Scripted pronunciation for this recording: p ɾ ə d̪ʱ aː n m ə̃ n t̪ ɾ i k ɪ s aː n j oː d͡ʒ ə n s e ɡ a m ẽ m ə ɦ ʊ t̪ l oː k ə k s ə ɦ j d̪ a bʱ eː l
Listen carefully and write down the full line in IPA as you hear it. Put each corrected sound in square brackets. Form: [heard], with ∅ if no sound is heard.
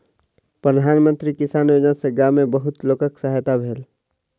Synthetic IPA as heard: p ɾ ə d̪ʱ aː n m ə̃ n t̪ ɾ i k ɪ s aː n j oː d͡ʒ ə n s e ɡ a m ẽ [b] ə ɦ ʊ t̪ l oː k ə k s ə ɦ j [t̪] a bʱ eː l

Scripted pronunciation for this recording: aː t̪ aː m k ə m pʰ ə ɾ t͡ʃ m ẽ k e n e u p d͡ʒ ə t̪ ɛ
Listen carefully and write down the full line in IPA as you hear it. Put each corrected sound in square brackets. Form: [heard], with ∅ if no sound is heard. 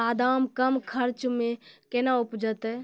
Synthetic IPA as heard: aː [d̪] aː m k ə m [kʰ] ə ɾ t͡ʃ m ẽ k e n [a] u p d͡ʒ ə t̪ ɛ

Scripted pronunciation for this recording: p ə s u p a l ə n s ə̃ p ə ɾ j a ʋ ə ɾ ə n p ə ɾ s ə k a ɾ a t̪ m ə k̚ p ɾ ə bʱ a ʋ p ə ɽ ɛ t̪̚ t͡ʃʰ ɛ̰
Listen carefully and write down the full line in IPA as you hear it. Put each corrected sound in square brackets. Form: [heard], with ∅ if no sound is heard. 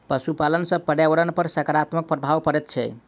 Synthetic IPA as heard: p ə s u p a l ə n s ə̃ p ə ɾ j a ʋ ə ɾ ə n p ə ɾ s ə k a ɾ a t̪ m ə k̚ p ɾ ə bʱ a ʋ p ə [ɾ] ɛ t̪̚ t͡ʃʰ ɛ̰

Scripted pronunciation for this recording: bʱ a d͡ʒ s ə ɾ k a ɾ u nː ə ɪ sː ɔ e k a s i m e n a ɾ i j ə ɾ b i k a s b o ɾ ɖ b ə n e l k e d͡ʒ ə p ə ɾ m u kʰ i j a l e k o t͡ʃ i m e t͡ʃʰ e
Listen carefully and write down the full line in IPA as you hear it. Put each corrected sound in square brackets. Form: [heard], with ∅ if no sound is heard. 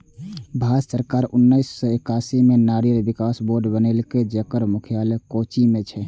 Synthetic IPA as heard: bʱ a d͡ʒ s ə ɾ k a ɾ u nː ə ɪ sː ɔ e k a s i m e n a ɾ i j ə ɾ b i k a s b o ɾ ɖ b ə n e l k e d͡ʒ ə [k] ə ɾ m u kʰ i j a l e k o t͡ʃ i m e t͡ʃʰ [ɛ]

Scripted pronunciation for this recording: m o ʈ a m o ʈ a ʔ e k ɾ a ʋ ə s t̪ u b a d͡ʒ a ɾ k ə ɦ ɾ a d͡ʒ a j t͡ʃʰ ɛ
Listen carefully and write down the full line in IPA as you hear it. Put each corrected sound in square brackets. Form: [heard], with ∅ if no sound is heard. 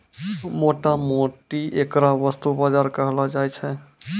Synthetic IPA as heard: m o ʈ a m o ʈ [i] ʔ e k ɾ a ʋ ə s t̪ u b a d͡ʒ a ɾ k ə ɦ [l] a d͡ʒ a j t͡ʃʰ ɛ

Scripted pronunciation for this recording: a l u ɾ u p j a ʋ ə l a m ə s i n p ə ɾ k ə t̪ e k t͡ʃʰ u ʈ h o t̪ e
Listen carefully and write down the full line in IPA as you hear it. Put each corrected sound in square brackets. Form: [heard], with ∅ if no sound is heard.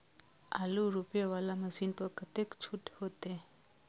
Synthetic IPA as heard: a l u ɾ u p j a ʋ [a] l a m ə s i n p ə ɾ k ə t̪ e k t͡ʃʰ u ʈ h o t̪ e

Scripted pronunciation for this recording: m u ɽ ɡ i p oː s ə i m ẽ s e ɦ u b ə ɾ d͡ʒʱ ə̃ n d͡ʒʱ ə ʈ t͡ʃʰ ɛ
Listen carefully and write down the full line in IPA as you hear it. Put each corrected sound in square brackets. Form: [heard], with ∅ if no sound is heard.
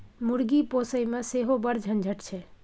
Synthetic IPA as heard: m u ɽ ɡ i p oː s ə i m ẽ s e ɦ [o] b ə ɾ d͡ʒʱ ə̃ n d͡ʒʱ ə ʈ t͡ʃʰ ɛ

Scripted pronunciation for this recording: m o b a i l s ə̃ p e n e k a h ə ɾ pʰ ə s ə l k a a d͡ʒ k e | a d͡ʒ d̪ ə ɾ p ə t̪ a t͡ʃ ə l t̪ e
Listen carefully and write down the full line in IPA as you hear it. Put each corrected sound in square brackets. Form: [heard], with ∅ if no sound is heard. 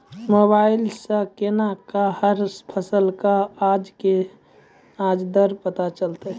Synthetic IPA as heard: m o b a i l s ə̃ [k] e n [a] k a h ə ɾ pʰ ə s ə l k a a d͡ʒ k e | a d͡ʒ d̪ ə ɾ p ə t̪ a t͡ʃ ə l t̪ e

